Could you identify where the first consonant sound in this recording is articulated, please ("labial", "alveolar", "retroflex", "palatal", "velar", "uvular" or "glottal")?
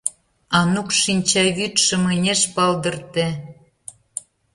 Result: alveolar